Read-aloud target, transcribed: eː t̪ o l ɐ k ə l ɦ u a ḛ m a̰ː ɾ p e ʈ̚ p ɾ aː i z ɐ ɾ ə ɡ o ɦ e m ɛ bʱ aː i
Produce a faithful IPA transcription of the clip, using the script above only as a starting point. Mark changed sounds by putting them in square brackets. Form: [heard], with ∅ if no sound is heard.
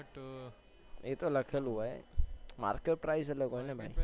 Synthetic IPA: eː t̪ o l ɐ [kʰ] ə l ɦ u a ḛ m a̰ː ɾ [k] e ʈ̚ p ɾ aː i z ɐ [l] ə ɡ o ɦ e [n] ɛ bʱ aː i